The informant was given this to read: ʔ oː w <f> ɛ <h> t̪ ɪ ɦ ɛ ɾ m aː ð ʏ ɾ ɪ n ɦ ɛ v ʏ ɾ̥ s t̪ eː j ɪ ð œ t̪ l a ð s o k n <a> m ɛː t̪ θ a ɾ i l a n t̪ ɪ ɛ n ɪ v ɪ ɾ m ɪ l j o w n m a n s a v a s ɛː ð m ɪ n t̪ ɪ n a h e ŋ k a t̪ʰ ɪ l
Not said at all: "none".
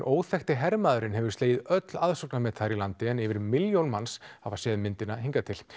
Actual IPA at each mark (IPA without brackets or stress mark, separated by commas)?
θ, x, a